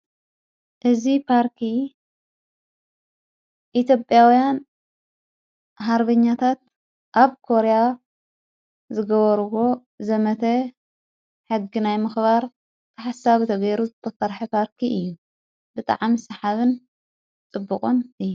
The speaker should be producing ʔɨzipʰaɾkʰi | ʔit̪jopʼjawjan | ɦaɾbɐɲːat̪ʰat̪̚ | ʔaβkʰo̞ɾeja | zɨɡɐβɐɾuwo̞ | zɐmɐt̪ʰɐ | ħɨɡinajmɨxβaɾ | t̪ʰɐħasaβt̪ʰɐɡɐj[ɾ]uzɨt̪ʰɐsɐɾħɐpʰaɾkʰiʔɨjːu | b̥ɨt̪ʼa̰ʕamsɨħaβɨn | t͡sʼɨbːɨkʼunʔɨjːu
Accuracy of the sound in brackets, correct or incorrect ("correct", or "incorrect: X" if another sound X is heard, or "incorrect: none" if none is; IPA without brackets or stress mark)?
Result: correct